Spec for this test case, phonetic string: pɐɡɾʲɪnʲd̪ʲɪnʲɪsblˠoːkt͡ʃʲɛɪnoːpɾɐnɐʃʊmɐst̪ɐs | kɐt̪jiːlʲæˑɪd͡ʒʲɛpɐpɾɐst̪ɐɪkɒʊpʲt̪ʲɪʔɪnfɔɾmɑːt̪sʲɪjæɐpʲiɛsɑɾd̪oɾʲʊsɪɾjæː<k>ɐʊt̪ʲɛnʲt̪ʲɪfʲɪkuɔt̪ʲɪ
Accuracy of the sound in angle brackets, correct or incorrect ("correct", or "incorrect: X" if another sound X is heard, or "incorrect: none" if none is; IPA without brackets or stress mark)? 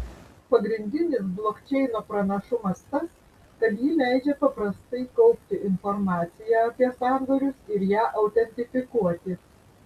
incorrect: ʔ